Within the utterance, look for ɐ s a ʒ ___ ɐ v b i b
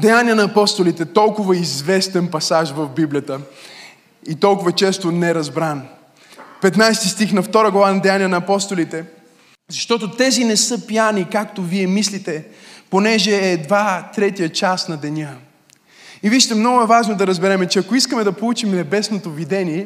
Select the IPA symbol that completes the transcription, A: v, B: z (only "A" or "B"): A